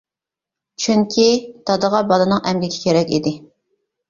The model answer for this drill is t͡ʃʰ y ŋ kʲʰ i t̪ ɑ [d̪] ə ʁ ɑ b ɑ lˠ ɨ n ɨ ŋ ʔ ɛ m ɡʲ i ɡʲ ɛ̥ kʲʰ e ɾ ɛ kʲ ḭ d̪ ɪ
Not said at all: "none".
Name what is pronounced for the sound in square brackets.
d̪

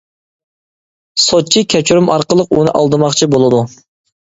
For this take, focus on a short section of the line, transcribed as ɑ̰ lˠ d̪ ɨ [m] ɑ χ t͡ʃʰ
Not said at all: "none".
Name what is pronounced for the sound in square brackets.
m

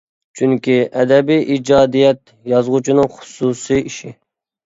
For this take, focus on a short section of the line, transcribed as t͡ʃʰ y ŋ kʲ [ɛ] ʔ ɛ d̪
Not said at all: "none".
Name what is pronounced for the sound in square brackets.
i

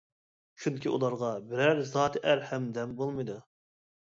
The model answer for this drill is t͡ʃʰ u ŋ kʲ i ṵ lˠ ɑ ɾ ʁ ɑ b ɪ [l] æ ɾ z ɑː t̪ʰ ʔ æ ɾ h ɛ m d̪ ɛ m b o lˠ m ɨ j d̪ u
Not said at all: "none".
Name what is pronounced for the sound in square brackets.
ɾ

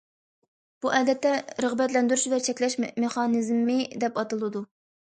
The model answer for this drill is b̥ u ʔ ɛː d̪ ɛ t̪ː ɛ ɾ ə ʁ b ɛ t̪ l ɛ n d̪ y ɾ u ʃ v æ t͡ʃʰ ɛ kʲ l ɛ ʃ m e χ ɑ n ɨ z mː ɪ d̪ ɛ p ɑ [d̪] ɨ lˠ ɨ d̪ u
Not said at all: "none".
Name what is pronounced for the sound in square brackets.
t̪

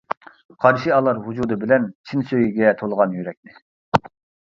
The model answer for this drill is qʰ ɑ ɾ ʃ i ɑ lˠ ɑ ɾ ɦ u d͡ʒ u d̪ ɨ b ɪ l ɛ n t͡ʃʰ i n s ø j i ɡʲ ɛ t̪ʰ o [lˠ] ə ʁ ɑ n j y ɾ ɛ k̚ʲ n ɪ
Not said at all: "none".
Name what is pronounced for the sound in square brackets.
lˠ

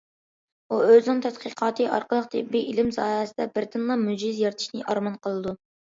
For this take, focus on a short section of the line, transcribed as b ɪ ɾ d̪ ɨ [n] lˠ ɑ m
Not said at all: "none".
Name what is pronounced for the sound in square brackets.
n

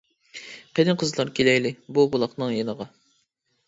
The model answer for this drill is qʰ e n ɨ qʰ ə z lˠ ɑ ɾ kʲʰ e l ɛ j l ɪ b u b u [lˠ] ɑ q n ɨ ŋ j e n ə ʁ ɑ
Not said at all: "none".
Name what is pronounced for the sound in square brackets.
lˠ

